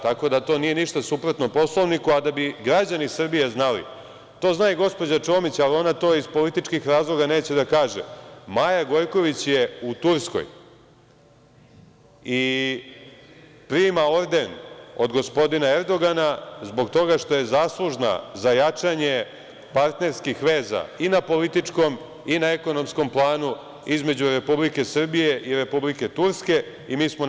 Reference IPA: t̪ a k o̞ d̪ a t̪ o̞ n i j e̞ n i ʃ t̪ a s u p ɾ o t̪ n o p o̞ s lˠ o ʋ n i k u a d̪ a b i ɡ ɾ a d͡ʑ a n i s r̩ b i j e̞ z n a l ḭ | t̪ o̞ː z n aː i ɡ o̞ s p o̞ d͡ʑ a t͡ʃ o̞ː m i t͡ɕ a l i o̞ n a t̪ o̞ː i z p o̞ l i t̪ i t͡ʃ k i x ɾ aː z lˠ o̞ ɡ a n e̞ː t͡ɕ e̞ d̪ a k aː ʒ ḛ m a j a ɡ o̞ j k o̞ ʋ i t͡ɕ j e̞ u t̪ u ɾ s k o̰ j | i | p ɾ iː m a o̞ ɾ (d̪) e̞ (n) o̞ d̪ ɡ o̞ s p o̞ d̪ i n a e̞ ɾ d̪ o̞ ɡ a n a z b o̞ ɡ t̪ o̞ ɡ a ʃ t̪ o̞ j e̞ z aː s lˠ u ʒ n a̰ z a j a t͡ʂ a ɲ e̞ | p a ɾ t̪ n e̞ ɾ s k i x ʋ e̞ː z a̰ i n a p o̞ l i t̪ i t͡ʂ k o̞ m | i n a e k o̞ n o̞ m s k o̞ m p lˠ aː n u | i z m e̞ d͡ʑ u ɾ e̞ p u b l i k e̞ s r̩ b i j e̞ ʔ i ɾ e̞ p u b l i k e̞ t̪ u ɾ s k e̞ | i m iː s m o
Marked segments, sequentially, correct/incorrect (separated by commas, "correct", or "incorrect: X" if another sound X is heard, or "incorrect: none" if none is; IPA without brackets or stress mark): correct, correct